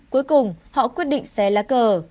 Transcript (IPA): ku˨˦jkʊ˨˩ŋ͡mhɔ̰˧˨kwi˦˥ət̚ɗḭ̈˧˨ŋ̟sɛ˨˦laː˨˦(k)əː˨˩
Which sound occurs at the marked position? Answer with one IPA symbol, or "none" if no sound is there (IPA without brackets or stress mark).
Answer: k